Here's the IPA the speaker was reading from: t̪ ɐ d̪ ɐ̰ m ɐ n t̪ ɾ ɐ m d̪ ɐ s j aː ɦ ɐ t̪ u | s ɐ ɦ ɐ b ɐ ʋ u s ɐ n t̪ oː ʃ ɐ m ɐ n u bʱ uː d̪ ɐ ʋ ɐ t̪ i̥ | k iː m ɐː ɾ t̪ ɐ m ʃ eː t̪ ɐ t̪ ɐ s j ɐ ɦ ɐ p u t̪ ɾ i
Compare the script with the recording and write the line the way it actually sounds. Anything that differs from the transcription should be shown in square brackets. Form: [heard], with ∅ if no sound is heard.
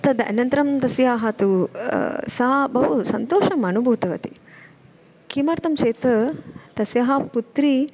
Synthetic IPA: t̪ ɐ d̪ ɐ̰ [n] ɐ n t̪ ɾ ɐ m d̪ ɐ s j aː ɦ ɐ t̪ u | s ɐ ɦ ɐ b ɐ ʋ u s ɐ n t̪ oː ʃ ɐ m ɐ n u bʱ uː [t̪] ɐ ʋ ɐ t̪ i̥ | k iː m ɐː ɾ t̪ ɐ m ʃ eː t̪ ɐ t̪ ɐ s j ɐ ɦ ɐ p u t̪ ɾ i